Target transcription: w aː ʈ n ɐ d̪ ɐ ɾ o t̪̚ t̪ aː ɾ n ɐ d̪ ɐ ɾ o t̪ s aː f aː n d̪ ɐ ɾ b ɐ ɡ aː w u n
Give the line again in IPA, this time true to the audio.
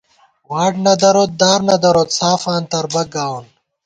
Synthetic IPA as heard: w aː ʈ n ɐ d̪ ɐ ɾ o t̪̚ d̪ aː ɾ n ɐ d̪ ɐ ɾ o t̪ s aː f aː n t̪ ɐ ɾ b ɐ ɡ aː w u n